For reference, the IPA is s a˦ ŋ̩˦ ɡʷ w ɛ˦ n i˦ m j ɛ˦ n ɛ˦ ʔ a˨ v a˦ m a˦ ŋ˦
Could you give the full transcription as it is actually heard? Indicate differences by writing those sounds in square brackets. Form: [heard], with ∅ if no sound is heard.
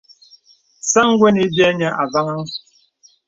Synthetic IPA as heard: s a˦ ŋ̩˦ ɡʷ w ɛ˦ n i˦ [b] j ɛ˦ [ɲ] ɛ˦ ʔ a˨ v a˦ [ŋ] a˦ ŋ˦